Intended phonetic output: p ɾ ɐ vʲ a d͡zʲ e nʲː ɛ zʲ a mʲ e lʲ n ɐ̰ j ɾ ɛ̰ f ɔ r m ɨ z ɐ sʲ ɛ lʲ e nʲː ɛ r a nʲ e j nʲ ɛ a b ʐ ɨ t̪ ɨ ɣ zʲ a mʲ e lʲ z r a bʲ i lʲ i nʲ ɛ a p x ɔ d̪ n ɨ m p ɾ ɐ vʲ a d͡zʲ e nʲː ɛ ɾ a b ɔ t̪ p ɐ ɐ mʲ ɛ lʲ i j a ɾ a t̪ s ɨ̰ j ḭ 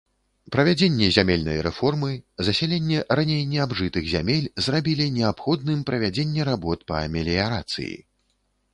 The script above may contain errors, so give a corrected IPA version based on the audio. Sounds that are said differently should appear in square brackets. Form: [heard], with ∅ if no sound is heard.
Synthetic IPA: p ɾ ɐ vʲ a d͡zʲ e nʲː ɛ zʲ a mʲ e lʲ n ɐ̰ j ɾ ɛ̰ f ɔ r m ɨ z ɐ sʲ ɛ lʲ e nʲː ɛ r a nʲ e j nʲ ɛ a b ʐ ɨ t̪ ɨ ɣ zʲ a mʲ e lʲ z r a bʲ i lʲ i nʲ ɛ a p x ɔ d̪ n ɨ m p ɾ ɐ vʲ a d͡zʲ e nʲː ɛ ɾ a b ɔ t̪ p ɐ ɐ mʲ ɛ lʲ i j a ɾ a t̪ s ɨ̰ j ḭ